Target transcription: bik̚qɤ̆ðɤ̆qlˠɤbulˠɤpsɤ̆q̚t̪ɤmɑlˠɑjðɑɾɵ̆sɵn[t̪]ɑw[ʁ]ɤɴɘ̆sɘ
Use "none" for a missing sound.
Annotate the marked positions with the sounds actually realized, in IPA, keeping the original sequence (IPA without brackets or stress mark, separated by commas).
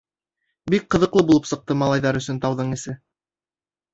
t̪, ð